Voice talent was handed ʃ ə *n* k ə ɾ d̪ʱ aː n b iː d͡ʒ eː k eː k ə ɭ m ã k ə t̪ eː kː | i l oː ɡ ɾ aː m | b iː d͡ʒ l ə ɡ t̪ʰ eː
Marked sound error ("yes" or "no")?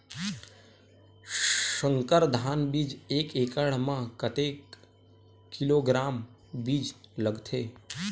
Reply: yes